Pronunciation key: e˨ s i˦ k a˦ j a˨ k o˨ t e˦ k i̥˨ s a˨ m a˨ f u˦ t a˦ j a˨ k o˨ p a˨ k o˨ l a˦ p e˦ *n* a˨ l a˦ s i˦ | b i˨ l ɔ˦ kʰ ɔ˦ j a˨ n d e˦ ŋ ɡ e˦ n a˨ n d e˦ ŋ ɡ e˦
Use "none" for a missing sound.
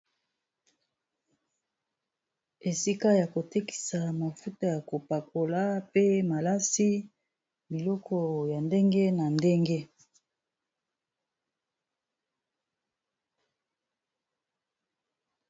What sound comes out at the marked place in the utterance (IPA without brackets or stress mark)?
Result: m